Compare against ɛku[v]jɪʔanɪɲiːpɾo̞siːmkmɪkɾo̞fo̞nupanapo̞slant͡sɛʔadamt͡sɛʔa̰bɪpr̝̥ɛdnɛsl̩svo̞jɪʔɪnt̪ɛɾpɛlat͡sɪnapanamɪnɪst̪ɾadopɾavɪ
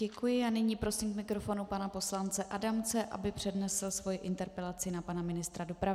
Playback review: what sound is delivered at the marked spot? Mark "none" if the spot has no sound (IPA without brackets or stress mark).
none